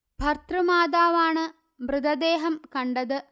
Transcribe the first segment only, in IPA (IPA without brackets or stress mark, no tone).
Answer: bʱ